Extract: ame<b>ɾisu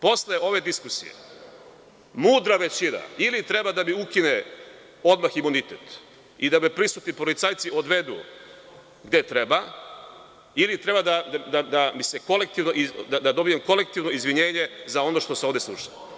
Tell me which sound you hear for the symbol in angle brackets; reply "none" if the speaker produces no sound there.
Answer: p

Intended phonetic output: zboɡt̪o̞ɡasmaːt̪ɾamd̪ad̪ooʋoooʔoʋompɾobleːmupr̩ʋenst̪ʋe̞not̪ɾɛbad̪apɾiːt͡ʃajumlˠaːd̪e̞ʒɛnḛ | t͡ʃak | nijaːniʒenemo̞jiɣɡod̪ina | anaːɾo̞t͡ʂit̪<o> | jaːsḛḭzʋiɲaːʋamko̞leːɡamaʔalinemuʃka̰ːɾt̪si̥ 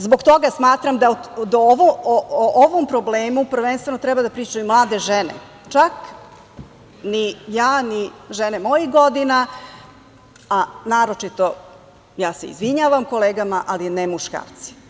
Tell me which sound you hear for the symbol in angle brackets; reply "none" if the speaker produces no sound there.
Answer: o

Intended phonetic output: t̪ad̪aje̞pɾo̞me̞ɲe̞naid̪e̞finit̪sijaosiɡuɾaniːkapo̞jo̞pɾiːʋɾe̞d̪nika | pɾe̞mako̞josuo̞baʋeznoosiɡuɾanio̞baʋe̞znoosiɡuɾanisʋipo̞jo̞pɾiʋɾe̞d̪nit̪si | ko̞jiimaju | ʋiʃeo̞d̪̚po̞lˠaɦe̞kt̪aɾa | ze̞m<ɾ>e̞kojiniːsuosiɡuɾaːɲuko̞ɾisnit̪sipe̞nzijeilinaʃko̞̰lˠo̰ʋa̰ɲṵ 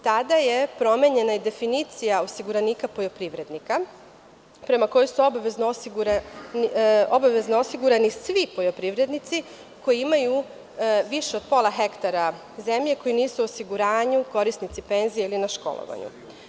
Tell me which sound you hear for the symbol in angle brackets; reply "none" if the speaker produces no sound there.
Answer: ʎ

